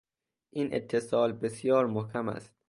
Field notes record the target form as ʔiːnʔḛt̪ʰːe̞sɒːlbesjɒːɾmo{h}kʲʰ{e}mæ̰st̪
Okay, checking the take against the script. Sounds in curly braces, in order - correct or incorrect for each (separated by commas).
correct, incorrect